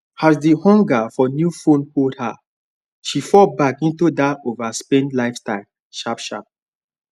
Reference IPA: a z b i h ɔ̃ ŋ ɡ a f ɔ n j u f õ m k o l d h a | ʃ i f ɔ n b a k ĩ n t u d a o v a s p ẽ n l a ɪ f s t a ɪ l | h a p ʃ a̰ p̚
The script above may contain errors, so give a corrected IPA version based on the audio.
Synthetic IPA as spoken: a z d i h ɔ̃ ŋ ɡ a f ɔ n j u f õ n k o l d h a | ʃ i f ɔ b a k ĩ n t u d a o v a s p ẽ n l a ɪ f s t a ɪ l | ʃ a p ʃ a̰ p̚